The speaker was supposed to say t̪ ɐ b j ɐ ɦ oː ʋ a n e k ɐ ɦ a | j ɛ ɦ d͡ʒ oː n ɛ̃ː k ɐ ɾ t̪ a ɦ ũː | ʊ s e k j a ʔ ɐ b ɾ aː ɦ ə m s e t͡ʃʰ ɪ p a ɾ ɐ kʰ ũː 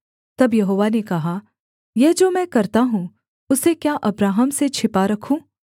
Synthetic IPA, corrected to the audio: t̪ ɐ b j ɐ ɦ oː ʋ a n e k ɐ ɦ a | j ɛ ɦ d͡ʒ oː m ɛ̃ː k ɐ ɾ t̪ a ɦ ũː | ʊ s e k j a ʔ ɐ b ɾ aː ɦ ə m s e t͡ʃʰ ɪ p a ɾ ɐ kʰ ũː